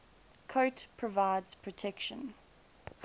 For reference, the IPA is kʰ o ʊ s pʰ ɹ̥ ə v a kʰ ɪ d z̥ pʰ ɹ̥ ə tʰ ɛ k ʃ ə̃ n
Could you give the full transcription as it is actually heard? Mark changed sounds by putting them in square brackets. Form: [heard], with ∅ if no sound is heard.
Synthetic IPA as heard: kʰ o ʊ [t] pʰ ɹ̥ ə v a [∅] ɪ d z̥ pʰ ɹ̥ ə tʰ ɛ k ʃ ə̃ n